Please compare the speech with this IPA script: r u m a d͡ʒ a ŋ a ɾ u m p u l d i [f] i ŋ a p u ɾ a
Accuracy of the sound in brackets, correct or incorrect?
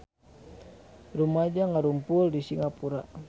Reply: incorrect